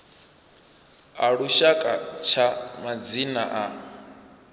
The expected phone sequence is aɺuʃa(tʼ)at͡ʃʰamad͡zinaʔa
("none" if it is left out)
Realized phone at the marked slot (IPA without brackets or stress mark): kʼ